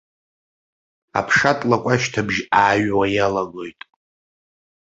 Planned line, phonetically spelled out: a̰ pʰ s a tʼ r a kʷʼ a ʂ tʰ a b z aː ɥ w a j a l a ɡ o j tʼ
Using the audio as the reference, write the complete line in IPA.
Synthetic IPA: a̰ pʰ ʂ a tʼ l a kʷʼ a ʃ tʰ a b ʒ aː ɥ w a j a l a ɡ o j tʼ